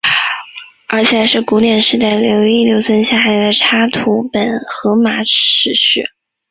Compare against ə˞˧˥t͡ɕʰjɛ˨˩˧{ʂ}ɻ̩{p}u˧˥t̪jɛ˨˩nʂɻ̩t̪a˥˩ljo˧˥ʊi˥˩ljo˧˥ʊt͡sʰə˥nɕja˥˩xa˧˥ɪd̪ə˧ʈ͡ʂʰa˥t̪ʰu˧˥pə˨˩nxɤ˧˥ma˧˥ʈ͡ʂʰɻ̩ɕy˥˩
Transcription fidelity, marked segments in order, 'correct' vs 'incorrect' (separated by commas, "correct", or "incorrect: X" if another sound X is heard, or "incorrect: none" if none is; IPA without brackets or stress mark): correct, incorrect: k